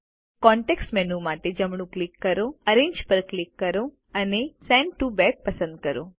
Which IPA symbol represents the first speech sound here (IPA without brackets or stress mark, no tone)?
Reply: k